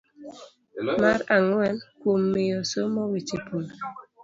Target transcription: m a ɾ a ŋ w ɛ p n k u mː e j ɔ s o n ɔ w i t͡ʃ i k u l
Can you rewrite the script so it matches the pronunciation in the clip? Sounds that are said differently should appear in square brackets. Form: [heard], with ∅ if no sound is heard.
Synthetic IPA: m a ɾ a ŋ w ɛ [∅] n k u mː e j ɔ s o [m] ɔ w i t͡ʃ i [p] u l

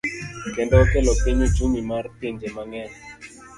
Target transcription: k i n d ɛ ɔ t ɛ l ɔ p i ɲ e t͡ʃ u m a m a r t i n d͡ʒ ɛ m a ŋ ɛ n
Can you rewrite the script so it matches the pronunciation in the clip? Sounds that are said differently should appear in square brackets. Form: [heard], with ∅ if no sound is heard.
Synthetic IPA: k [ɛ] n d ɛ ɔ [k] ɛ l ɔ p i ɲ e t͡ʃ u m [i] m a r t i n d͡ʒ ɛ m a ŋ ɛ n

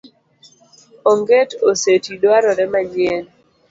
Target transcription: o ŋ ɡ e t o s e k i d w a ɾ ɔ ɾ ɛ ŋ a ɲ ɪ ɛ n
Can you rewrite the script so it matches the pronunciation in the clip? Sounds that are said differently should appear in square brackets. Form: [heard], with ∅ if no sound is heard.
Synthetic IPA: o ŋ ɡ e t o s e [t] i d w a ɾ ɔ ɾ ɛ [m] a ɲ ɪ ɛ n

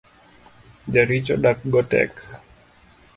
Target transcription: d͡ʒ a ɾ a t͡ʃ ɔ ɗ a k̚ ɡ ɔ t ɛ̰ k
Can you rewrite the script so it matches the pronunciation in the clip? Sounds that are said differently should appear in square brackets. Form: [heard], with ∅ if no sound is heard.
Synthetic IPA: d͡ʒ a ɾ [i] t͡ʃ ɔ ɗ a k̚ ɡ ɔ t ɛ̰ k

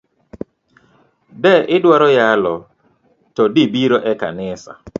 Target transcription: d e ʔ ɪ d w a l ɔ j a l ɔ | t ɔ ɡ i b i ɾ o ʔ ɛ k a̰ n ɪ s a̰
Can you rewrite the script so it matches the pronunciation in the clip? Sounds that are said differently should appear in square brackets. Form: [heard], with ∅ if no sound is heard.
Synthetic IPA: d [ɛ] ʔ ɪ d w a [ɾ] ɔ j a l ɔ | t ɔ [d] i b i ɾ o ʔ ɛ k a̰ n ɪ s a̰

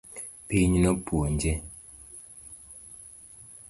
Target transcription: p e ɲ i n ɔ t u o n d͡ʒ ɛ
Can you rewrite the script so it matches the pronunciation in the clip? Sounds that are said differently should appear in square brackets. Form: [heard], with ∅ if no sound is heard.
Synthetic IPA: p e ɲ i n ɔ [p] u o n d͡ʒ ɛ

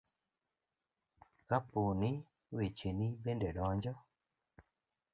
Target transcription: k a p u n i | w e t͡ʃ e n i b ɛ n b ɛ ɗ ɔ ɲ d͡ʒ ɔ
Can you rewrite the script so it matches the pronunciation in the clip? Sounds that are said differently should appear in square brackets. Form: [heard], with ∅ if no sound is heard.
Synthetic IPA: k a p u n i | w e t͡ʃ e n i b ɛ n [d] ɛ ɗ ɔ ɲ d͡ʒ ɔ

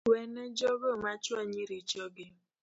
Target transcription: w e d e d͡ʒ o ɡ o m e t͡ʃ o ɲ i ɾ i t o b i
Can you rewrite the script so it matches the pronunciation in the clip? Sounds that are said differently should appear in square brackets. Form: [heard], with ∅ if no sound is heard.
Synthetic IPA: w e [n] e d͡ʒ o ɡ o m [a] t͡ʃ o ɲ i ɾ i [t͡ʃ] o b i

